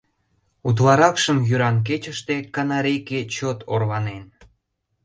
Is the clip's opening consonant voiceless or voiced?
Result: voiceless